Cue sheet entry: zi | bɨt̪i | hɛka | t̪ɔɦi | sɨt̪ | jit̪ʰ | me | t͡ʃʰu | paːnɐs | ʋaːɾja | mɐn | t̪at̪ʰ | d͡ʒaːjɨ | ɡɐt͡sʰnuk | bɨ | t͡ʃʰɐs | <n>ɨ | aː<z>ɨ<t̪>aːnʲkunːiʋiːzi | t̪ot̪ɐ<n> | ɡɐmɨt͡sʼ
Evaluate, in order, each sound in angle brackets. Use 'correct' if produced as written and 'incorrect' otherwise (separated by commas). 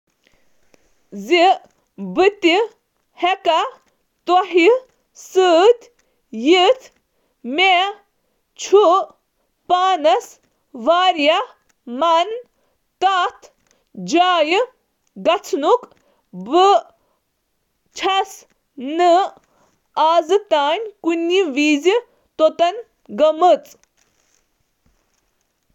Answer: correct, correct, correct, correct